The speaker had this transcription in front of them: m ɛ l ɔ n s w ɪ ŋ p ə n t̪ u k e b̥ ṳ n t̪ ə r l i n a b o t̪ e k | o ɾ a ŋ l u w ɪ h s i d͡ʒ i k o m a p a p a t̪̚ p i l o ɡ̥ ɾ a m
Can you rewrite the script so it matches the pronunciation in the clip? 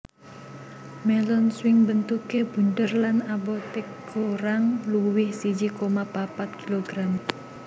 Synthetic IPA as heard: m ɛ l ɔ n s w ɪ ŋ b ə n t̪ u k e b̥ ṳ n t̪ ə r l a n a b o t̪ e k | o ɾ a ŋ l u w ɪ h s i d͡ʒ i k o m a p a p a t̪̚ k i l o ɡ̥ ɾ a m